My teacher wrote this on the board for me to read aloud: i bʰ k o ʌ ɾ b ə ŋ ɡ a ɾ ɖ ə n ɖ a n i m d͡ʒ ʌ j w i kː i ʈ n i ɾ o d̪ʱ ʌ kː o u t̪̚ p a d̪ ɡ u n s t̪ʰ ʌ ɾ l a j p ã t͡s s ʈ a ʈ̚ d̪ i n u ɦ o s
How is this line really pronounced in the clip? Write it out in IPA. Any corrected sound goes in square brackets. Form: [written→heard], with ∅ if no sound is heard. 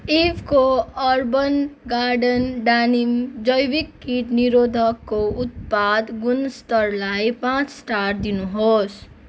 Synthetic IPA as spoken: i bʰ k o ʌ ɾ b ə [ŋ→n] ɡ a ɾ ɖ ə n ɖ a n i m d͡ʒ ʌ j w i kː i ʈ n i ɾ o d̪ʱ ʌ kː o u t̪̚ p a d̪ ɡ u n s [t̪ʰ→t̪] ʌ ɾ l a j p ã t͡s s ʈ a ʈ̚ d̪ i n u ɦ o s